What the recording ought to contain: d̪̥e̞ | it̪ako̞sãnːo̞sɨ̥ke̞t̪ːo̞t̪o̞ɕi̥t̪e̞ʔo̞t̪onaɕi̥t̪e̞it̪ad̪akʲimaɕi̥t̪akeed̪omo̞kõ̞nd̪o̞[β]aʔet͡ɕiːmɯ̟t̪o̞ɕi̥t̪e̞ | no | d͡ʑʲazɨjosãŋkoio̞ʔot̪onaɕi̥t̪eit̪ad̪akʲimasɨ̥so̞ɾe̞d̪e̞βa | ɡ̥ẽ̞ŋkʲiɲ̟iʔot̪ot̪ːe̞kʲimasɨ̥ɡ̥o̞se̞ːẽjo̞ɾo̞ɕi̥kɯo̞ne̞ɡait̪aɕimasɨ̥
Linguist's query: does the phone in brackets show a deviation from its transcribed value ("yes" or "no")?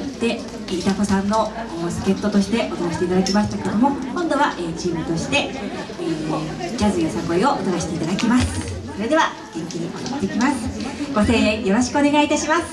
no